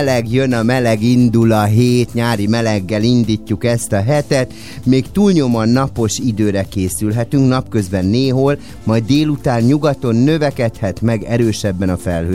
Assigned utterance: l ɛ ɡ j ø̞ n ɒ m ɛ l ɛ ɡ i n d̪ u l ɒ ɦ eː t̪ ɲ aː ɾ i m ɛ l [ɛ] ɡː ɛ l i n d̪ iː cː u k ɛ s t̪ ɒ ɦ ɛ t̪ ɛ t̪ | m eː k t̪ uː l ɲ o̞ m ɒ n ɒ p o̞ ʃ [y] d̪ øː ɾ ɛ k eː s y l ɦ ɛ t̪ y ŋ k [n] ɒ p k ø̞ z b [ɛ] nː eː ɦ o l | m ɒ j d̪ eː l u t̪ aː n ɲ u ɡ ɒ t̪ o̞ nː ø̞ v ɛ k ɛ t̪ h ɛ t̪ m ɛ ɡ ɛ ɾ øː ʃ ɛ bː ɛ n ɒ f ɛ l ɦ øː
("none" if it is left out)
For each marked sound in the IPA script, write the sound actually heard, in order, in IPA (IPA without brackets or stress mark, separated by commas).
ɛ, i, n, ɛ